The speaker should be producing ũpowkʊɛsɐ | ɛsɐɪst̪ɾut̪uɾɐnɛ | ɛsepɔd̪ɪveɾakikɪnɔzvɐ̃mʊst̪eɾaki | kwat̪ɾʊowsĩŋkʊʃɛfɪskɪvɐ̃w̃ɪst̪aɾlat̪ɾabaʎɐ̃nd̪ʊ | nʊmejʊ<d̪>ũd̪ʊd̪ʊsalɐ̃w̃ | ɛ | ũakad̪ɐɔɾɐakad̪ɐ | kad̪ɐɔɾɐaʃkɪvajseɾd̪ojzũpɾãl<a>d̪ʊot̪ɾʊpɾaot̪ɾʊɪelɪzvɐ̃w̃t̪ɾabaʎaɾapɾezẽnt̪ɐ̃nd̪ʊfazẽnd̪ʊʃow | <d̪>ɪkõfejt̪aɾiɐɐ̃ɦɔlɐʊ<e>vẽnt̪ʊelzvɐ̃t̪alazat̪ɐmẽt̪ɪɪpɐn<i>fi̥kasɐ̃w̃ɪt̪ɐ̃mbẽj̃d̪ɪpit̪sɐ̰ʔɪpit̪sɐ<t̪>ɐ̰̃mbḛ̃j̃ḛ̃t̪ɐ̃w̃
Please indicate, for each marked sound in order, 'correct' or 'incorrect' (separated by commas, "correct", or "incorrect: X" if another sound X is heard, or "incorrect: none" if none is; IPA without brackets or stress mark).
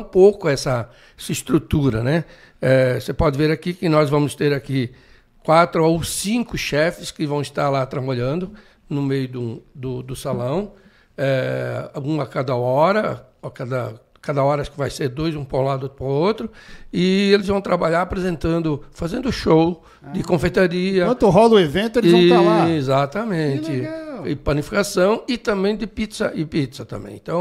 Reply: correct, correct, correct, correct, correct, correct